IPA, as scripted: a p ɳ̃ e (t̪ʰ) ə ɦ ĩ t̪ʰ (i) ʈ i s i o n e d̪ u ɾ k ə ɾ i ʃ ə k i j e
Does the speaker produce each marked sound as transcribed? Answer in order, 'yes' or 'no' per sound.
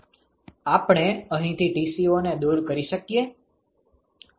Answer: no, yes

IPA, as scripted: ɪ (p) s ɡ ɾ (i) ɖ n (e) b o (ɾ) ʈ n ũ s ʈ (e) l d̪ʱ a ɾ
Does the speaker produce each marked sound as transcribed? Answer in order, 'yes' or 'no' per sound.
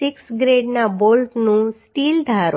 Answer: no, no, no, no, no

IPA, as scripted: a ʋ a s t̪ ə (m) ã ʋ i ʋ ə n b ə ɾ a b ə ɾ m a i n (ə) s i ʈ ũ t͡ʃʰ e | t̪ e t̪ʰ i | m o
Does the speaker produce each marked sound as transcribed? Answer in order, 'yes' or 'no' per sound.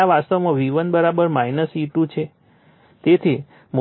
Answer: yes, yes

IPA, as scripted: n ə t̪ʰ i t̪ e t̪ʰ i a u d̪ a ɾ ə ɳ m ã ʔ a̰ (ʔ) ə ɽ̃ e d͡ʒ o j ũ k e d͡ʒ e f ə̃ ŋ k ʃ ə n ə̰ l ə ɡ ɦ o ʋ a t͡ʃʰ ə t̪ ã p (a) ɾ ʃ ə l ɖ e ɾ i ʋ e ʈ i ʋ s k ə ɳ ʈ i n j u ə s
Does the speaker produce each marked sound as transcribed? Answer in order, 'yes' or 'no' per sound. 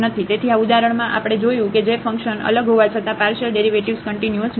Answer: no, yes

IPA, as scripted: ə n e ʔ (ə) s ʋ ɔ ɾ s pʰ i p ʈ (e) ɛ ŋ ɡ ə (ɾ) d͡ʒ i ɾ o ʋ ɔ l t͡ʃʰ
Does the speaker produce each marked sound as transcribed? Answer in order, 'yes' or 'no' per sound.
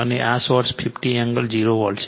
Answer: no, no, no

